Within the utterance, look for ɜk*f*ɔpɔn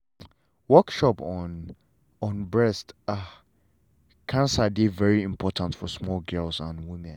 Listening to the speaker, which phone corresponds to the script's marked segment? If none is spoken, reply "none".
ʃ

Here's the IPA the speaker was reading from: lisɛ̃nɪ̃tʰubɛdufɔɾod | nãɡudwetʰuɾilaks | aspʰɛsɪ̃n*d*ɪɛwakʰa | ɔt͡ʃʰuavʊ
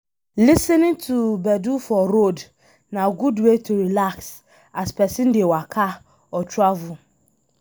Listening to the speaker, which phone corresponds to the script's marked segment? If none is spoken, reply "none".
d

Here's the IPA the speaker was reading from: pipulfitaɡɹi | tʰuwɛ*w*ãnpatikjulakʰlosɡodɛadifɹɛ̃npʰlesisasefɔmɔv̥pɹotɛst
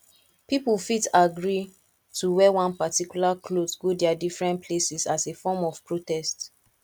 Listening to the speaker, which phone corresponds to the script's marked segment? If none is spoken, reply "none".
w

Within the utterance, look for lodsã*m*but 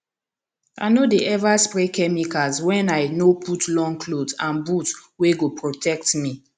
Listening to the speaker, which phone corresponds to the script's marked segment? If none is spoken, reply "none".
n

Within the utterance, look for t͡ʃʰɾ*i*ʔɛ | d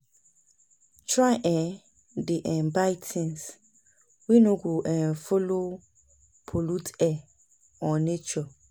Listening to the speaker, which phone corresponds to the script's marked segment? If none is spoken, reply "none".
a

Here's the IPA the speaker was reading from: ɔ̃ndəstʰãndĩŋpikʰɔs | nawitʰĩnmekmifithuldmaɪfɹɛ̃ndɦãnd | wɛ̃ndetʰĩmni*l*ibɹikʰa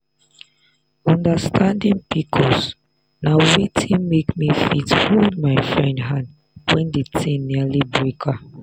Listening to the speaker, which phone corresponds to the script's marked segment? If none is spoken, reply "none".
l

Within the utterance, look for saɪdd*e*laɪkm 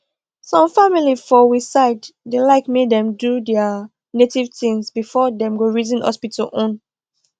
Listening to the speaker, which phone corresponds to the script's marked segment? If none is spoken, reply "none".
e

